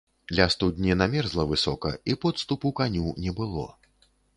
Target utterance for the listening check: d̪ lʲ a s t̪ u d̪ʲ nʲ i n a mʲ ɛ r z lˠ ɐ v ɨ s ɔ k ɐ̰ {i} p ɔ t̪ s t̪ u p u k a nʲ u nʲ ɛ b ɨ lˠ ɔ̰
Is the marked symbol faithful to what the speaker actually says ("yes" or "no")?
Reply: yes